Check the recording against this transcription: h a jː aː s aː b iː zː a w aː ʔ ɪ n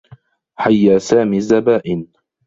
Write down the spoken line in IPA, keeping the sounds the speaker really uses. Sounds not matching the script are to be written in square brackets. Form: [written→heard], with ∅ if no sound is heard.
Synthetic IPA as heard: [h→ħ] a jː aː s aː [b→m] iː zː a [w→b] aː ʔ ɪ n